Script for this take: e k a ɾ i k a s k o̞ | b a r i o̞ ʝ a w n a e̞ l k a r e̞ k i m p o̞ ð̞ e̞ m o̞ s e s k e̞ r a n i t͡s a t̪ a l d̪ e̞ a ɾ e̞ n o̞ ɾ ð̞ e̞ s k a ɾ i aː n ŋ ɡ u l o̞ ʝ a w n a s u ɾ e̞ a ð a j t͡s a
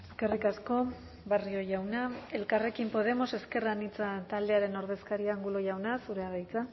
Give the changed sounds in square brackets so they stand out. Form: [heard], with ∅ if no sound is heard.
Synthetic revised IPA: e k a [r] i k a s k o̞ | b a r i o̞ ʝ a w n a e̞ l k a r e̞ k i m p o̞ ð̞ e̞ m o̞ s e s k e̞ r a n i t͡s a t̪ a l d̪ e̞ a ɾ e̞ n o̞ ɾ ð̞ e̞ s k a ɾ i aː [∅] ŋ ɡ u l o̞ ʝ a w n a s u ɾ e̞ a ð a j t͡s a